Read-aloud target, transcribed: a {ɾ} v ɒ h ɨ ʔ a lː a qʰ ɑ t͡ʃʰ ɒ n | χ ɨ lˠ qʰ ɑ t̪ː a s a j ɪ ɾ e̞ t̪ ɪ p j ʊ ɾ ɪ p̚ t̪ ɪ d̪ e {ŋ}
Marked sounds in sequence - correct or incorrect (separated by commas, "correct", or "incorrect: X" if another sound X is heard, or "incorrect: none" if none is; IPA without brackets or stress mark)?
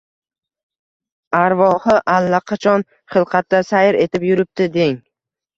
correct, correct